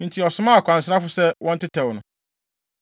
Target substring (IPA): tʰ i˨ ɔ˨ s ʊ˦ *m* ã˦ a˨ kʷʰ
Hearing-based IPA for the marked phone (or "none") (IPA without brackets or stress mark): m